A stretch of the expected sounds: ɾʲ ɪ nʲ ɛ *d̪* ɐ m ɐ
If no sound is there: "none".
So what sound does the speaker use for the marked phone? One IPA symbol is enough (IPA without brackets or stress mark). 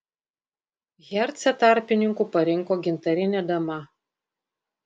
d̪